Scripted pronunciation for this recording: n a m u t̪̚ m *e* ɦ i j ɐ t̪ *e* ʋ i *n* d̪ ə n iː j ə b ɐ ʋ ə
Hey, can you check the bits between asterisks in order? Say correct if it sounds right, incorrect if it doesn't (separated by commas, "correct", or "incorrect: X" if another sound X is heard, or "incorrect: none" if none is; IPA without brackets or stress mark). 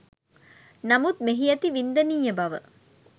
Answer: correct, incorrect: i, correct